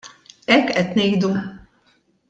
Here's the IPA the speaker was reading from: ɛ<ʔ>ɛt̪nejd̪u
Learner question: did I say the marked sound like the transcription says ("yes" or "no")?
no